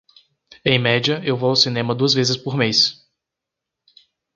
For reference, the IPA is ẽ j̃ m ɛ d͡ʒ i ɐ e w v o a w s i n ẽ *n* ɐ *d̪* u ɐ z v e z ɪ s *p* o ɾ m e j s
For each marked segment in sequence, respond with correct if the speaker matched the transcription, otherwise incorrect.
incorrect: m, correct, correct

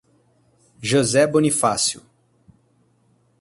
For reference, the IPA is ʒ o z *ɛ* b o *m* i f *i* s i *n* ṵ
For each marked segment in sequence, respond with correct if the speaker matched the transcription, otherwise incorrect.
correct, incorrect: n, incorrect: a, incorrect: none

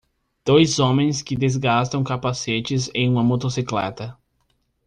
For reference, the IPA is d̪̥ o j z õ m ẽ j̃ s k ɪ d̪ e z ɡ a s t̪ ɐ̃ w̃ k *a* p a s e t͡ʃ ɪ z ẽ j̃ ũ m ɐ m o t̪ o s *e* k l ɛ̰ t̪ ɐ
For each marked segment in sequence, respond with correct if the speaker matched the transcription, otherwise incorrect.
correct, incorrect: i

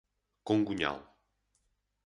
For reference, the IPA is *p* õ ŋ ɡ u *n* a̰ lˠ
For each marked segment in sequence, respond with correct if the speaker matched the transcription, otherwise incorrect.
incorrect: k, incorrect: ɲ

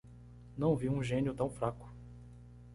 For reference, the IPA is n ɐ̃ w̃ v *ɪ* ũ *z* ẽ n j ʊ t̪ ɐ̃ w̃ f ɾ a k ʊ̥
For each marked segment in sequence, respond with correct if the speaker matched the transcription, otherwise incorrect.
incorrect: i, incorrect: ʒ

